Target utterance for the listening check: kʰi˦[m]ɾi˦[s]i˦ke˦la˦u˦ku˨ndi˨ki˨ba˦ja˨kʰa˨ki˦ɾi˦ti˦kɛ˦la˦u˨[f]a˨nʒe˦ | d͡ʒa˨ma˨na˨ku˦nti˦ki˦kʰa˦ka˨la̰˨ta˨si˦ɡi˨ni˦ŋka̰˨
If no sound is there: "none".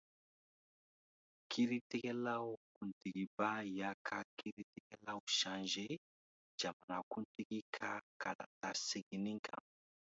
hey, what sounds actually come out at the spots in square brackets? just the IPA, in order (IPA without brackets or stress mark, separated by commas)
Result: none, t, ʃ